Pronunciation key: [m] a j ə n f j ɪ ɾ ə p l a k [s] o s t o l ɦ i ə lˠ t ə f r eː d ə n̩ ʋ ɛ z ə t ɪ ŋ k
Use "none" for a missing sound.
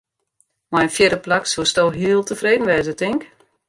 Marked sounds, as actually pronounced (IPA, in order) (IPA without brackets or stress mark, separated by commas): m, s